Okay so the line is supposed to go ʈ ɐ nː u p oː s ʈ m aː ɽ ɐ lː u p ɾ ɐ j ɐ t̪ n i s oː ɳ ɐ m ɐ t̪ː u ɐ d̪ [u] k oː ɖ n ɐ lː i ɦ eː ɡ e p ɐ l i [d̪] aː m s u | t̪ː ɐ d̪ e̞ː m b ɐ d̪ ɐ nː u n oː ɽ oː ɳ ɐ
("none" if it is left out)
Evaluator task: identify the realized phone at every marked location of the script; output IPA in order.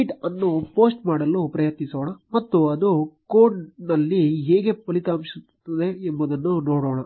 u, t̪

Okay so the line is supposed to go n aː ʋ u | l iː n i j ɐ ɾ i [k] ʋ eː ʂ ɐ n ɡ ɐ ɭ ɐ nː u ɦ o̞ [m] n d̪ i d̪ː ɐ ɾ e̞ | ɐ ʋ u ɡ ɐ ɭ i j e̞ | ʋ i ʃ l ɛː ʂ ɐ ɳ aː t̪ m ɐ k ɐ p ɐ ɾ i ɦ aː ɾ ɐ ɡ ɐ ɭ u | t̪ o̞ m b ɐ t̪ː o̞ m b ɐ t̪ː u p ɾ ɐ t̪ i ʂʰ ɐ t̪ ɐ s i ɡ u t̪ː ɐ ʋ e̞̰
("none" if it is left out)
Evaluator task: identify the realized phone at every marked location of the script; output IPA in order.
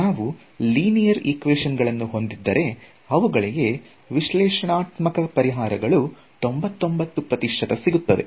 k, none

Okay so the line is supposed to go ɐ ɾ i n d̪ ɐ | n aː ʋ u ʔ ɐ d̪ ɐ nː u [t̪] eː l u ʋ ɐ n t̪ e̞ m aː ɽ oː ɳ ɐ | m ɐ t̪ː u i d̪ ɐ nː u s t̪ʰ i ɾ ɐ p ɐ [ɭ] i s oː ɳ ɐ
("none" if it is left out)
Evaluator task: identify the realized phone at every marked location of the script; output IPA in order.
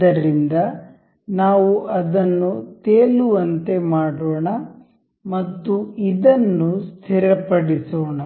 t̪, ɽ

